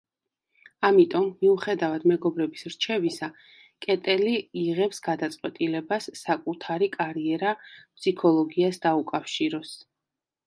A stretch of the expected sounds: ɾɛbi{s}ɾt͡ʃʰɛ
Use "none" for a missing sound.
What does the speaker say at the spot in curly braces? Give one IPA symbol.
s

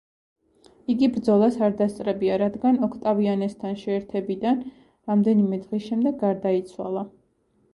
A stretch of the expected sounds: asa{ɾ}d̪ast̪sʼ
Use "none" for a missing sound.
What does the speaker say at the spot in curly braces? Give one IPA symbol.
ɾ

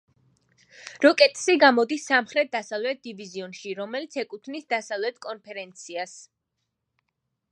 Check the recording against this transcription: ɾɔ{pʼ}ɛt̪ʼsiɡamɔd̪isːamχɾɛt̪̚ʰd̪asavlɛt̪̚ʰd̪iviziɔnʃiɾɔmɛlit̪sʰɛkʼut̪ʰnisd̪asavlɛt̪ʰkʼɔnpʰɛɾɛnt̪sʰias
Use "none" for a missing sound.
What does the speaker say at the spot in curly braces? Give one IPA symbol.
kʼ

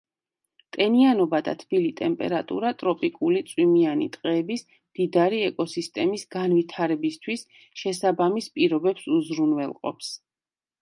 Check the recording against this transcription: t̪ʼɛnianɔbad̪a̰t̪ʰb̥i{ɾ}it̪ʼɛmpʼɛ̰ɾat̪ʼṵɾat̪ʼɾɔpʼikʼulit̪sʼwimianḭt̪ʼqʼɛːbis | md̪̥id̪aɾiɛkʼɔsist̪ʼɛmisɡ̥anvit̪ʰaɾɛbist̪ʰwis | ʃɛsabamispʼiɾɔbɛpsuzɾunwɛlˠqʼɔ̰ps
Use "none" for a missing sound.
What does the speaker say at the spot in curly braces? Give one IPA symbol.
l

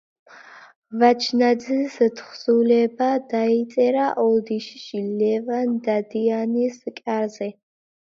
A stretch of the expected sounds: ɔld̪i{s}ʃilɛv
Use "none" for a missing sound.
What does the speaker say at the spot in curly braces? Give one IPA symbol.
ʃ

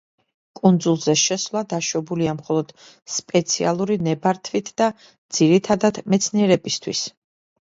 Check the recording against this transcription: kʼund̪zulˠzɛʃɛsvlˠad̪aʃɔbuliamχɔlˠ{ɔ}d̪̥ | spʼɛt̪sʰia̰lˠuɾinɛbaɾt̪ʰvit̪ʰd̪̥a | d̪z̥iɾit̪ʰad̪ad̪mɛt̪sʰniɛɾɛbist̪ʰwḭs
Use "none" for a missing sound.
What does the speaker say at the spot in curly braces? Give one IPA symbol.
ɔ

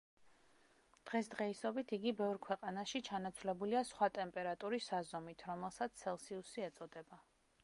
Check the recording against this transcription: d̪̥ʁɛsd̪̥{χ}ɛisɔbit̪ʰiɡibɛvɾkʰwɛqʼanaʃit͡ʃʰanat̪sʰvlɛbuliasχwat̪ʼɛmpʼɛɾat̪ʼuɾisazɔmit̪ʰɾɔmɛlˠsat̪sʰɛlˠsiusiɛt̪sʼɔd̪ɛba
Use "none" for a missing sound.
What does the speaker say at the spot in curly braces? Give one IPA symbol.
ʁ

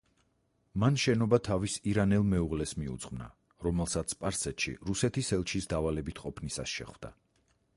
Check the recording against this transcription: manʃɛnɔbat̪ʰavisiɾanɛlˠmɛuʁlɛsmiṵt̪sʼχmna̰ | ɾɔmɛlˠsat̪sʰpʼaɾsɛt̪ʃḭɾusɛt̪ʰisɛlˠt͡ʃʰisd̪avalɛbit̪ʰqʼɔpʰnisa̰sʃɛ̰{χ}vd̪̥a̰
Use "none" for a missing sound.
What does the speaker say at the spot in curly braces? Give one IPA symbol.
χ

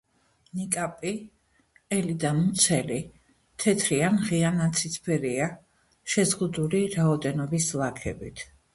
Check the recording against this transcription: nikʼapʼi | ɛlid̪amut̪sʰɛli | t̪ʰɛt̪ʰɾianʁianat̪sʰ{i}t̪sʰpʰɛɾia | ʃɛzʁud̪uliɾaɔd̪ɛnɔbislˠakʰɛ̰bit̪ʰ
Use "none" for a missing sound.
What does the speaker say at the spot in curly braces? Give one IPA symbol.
i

